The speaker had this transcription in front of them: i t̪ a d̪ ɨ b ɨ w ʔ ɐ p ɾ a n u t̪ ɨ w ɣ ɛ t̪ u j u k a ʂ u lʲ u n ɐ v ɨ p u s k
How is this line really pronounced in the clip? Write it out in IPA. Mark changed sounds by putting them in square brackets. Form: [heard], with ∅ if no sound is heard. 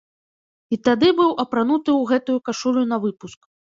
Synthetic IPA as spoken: i t̪ a d̪ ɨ b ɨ w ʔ ɐ p ɾ a n u t̪ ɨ w ɣ ɛ t̪ u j u k a ʂ u lʲ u n ɐ v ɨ p u s k